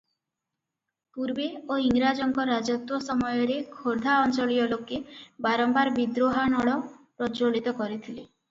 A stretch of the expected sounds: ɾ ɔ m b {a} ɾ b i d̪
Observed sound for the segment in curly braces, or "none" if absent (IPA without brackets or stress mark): a